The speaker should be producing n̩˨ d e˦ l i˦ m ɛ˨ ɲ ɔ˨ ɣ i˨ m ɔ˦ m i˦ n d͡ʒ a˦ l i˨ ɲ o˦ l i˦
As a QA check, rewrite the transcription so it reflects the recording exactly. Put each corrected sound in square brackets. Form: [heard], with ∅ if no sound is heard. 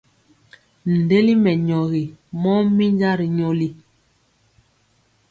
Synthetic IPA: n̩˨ d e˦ l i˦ m ɛ˨ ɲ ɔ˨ ɣ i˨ m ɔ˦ m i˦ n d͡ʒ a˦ [ɾ] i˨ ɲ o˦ l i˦